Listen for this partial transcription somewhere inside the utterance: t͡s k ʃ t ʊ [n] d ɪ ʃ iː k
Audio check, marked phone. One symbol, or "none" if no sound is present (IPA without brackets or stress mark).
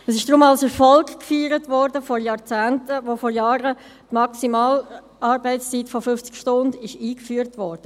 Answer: n